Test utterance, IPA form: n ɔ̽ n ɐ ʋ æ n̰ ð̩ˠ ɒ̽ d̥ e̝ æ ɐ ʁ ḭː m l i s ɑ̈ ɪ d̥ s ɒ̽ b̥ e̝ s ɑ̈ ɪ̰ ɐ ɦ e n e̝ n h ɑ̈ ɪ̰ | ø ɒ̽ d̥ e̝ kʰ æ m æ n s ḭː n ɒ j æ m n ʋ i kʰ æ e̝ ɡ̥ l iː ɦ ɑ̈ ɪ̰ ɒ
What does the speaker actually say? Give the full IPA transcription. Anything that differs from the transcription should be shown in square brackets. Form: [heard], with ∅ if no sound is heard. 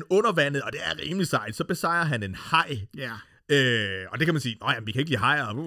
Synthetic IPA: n ɔ̽ n ɐ ʋ æ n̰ ð̩ˠ ɒ̽ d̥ e̝ æ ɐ ʁ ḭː m l i s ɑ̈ ɪ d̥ s ɒ̽ b̥ e̝ s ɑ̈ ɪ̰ ɐ ɦ [æ] n e̝ n h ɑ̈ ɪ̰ | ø ɒ̽ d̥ e̝ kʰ æ m æ n s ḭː n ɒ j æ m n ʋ i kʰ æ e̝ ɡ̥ l iː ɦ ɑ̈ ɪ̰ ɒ